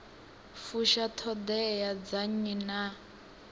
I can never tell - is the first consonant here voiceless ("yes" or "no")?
yes